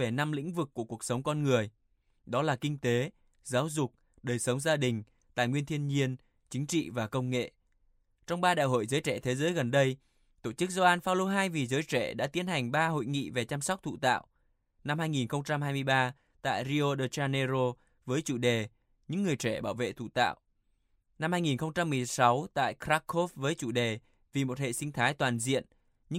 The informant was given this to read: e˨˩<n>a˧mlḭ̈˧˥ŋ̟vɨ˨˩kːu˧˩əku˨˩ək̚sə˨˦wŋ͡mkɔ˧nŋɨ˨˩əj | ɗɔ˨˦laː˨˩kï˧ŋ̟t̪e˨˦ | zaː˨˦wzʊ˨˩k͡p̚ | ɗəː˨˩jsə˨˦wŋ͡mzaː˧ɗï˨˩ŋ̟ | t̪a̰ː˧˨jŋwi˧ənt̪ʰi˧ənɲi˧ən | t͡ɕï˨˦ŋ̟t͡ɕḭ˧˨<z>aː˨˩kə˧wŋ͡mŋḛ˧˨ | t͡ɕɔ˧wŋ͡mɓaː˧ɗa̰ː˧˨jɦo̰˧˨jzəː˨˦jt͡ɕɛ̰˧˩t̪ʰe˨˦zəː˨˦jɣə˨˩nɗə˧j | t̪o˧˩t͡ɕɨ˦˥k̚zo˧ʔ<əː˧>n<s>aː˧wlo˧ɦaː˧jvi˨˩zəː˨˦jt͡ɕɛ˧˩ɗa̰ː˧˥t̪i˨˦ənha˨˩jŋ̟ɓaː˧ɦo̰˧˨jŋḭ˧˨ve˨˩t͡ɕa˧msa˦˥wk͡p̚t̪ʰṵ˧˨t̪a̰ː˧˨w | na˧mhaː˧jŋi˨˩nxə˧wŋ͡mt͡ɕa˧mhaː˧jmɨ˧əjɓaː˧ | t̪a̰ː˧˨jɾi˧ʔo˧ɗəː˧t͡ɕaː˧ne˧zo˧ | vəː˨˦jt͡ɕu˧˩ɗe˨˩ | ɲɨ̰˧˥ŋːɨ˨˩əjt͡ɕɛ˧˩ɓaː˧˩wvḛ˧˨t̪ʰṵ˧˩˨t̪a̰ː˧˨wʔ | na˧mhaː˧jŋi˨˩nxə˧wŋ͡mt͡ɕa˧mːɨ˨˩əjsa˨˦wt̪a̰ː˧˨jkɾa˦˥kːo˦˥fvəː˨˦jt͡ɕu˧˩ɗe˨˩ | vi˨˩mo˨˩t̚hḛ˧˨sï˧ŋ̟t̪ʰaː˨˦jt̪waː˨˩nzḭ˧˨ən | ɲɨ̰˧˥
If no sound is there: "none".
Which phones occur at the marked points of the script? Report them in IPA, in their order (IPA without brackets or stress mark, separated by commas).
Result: n, v, aː˧, f